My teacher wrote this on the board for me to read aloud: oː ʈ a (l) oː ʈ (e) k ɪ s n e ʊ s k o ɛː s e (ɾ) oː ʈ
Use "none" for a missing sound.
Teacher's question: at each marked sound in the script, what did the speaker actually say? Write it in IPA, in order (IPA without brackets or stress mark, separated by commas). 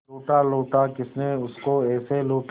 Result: l, a, l